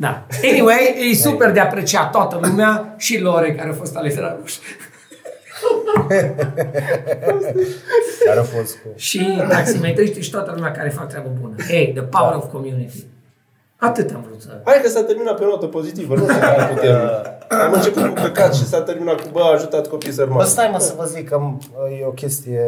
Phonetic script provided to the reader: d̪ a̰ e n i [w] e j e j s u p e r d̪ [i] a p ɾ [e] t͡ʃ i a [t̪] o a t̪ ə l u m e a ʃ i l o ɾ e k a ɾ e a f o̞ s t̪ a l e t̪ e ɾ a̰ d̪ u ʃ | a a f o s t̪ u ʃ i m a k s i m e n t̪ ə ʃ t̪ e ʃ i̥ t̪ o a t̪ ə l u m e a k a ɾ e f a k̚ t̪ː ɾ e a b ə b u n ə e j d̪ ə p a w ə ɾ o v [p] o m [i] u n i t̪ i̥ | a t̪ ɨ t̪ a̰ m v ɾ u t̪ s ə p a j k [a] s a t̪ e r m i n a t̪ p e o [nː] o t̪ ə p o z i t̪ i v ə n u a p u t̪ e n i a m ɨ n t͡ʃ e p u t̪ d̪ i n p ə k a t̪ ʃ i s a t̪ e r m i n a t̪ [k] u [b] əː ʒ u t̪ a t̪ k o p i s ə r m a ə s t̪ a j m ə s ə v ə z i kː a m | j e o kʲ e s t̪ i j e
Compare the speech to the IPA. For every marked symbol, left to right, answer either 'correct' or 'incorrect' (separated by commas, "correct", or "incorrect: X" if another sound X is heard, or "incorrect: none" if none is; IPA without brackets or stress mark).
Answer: correct, incorrect: e, correct, correct, incorrect: k, incorrect: j, incorrect: ə, incorrect: n, correct, correct